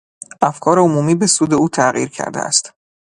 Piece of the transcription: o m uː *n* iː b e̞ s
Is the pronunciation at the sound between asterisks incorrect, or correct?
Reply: incorrect